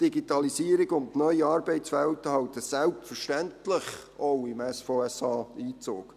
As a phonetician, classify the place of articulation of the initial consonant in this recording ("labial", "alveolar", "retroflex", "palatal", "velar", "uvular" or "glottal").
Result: alveolar